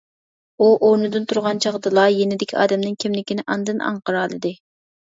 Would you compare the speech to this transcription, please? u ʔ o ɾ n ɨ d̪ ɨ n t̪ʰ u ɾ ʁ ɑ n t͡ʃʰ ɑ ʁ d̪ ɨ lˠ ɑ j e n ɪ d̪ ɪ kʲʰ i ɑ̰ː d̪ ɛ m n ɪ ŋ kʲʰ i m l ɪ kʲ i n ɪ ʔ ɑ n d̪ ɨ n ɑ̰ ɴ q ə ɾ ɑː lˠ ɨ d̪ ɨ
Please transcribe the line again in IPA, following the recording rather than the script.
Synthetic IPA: u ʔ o ɾ n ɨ d̪ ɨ n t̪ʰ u ɾ ʁ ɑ n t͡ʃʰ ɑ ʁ d̪ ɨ lˠ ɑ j e n ɪ d̪ ɪ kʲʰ i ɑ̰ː d̪ ɛ m n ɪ ŋ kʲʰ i m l ɪ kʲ i n ɪ ʔ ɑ n d̪ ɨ n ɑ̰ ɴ q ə ɾ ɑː lˠ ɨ d̪ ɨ